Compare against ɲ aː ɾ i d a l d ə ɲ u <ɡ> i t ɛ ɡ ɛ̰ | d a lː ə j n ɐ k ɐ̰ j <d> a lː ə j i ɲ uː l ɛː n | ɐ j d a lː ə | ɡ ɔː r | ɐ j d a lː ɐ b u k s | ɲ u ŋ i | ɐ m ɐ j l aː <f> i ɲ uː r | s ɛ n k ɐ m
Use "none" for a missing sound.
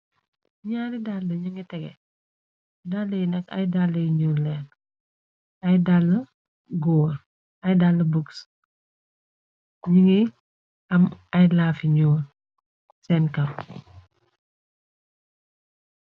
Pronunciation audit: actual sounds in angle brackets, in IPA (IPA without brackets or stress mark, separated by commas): ŋ, d, f